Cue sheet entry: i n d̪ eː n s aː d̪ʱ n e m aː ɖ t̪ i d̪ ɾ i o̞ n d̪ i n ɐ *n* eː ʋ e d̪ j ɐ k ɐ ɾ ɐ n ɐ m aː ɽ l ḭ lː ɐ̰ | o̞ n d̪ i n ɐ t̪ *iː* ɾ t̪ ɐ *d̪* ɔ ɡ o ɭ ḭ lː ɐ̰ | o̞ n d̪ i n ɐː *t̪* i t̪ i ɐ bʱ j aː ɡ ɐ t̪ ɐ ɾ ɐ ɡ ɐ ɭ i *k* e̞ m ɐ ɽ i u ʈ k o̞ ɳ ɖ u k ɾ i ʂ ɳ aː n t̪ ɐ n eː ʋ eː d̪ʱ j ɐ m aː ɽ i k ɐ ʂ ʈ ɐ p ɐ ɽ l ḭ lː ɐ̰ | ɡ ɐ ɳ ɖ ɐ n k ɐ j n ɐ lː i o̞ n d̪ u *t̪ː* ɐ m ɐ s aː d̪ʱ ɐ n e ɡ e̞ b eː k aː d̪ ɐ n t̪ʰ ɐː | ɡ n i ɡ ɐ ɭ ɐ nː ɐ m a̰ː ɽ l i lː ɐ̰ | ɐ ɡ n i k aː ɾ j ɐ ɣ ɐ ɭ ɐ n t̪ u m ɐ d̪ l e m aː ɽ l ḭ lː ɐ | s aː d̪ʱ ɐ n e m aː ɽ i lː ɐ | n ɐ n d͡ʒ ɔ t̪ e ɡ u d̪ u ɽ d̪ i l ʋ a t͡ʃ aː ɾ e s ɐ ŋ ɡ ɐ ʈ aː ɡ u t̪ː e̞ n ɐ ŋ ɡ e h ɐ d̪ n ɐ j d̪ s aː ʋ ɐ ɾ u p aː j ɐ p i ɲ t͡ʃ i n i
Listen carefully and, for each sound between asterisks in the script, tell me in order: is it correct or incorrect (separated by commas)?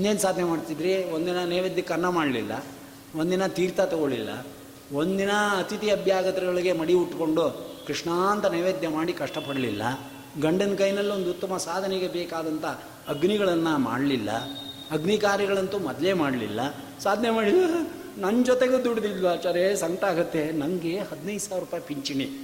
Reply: correct, correct, incorrect, correct, incorrect, correct